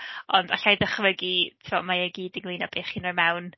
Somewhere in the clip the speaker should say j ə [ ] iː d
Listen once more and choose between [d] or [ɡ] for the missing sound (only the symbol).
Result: ɡ